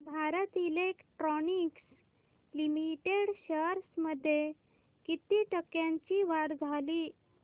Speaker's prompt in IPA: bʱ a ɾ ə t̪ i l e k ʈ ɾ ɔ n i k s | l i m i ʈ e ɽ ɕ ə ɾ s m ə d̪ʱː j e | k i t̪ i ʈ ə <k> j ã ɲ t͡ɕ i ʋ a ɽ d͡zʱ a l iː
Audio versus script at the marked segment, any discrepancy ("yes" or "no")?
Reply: no